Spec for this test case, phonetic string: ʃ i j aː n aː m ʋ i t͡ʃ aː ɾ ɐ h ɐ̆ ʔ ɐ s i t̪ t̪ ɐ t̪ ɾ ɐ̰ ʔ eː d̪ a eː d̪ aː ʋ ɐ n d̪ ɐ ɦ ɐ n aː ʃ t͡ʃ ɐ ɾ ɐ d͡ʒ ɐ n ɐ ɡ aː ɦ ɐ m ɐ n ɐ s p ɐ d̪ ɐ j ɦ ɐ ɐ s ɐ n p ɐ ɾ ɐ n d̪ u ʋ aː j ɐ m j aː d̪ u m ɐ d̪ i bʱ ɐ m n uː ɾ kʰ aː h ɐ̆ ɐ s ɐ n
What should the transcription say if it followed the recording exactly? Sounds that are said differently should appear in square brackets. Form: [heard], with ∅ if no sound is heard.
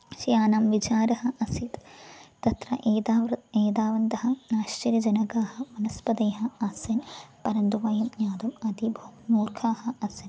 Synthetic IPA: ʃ i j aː n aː m ʋ i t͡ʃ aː ɾ ɐ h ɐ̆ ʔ ɐ s i t̪ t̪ ɐ t̪ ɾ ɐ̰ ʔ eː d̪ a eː d̪ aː ʋ ɐ n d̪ ɐ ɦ ɐ n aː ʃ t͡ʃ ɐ ɾ ɐ d͡ʒ ɐ n ɐ ɡ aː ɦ ɐ m ɐ n ɐ s p ɐ d̪ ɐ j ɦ ɐ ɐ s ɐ n p ɐ ɾ ɐ n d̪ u ʋ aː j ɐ m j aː d̪ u m ɐ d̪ i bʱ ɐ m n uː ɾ kʰ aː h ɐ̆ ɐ s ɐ n